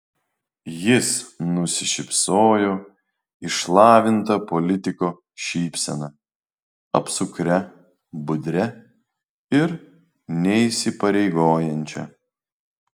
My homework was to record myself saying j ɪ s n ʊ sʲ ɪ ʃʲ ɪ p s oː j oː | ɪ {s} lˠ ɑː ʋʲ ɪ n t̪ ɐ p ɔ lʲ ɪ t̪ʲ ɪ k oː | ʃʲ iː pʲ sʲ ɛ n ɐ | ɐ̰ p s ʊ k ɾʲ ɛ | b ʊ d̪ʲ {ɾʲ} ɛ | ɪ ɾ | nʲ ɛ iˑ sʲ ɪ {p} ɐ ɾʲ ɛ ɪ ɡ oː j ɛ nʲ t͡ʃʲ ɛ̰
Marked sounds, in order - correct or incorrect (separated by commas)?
incorrect, correct, correct